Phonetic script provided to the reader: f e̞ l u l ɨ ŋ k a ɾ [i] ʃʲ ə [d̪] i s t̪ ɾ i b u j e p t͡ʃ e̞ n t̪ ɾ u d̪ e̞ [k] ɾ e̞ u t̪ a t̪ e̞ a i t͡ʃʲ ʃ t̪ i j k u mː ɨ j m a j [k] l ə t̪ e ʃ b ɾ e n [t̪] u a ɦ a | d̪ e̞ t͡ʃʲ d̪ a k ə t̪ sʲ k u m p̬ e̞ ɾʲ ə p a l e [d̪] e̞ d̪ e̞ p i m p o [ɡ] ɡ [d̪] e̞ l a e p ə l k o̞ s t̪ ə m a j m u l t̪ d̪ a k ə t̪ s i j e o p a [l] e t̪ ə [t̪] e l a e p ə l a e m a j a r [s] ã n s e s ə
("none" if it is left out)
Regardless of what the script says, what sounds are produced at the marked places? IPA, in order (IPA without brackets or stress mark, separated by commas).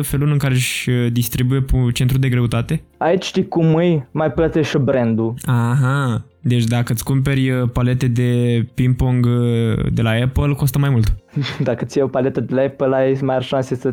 e, d̪, ɡ, p, d̪, t̪, ŋ, d̪, l, d̪, ʃ